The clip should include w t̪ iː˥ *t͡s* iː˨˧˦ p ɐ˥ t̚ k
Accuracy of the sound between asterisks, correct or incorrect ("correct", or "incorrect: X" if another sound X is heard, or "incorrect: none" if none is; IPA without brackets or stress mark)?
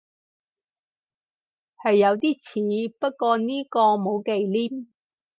incorrect: t͡sʰ